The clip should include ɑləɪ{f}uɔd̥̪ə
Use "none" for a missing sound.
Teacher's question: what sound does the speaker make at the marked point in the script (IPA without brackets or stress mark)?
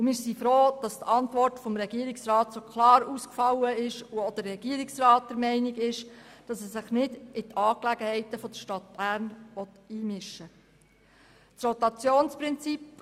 ʃ